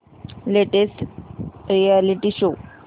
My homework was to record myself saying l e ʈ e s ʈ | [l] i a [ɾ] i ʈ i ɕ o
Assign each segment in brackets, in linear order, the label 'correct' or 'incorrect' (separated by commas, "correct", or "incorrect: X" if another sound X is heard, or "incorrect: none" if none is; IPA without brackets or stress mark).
incorrect: ɾ, incorrect: l